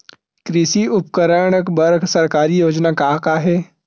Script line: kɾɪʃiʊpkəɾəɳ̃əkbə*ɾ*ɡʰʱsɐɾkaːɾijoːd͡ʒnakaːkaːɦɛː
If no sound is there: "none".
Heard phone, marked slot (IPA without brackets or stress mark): ɾ